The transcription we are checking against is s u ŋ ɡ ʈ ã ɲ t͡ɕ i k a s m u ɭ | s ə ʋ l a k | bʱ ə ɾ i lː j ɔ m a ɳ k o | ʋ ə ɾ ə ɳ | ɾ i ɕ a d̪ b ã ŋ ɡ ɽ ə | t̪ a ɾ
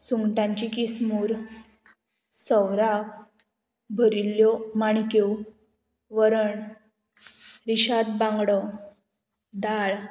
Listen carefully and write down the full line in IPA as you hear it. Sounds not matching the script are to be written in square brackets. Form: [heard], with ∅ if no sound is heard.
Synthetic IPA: s u ŋ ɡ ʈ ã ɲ t͡ɕ i k [i] s m u [ɾ] | s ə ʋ [ɾ] a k | bʱ ə ɾ i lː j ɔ m a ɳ k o | ʋ ə ɾ ə ɳ | ɾ i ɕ a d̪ b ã ŋ ɡ ɽ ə | [d̪] a [ɭ]

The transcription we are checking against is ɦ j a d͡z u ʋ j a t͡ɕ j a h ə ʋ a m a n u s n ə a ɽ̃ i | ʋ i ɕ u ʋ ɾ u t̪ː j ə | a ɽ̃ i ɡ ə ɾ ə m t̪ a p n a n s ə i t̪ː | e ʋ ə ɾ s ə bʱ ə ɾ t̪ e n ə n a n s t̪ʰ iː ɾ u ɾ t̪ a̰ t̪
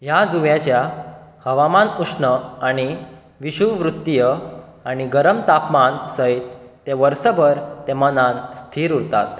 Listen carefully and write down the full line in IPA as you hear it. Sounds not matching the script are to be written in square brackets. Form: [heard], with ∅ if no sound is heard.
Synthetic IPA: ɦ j a d͡z u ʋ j a t͡ɕ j a h ə ʋ a m a n u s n ə a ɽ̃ i | ʋ i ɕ u ʋ ɾ u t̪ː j ə | a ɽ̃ i ɡ ə ɾ ə m t̪ a p [m] a n s ə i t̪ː | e ʋ ə ɾ s ə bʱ ə ɾ t̪ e [m] ə n a n s t̪ʰ iː ɾ u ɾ t̪ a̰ t̪

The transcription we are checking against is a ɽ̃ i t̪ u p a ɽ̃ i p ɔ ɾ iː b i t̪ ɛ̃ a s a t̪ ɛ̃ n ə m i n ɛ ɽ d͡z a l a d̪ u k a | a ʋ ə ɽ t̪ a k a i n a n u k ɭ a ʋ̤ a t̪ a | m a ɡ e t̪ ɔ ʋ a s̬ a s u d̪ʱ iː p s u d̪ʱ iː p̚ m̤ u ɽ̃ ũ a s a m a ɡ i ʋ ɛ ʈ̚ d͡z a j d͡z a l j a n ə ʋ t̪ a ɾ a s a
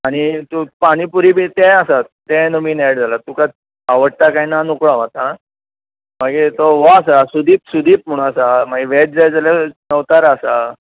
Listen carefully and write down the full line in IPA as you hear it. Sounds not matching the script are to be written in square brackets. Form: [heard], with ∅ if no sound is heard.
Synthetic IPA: a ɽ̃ i t̪ u p a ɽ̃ i p [u] ɾ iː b i t̪ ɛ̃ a s a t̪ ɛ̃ n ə m i n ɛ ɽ d͡z a l a [t̪] u k a | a ʋ ə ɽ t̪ a k a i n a n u k ɭ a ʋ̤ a t̪ a | m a ɡ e t̪ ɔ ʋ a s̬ a s u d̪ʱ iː p s u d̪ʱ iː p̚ m̤ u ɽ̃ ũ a s a m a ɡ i ʋ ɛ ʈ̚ d͡z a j d͡z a l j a n ə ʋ t̪ a ɾ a s a

